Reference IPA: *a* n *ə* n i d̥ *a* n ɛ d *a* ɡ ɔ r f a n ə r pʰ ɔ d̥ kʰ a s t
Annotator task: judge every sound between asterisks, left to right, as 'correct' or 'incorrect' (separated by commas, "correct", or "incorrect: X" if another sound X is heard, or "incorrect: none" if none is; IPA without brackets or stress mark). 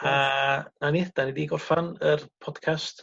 correct, incorrect: a, correct, incorrect: i